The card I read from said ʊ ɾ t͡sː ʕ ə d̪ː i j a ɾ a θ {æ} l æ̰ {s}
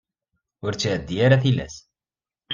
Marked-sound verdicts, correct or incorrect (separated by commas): incorrect, correct